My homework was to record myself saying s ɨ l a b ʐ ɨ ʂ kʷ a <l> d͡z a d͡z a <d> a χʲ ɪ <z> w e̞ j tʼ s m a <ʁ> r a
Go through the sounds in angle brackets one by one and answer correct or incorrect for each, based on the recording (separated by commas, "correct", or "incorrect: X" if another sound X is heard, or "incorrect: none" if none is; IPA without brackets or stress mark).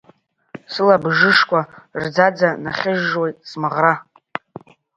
incorrect: r, incorrect: n, incorrect: ʒ, correct